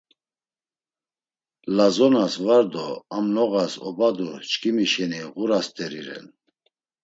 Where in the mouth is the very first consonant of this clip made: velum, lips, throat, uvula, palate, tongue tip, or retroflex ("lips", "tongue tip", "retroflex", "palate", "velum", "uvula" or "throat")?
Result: tongue tip